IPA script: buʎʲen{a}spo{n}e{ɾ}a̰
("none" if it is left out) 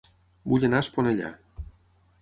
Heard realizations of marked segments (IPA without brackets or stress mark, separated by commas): a, n, ʎ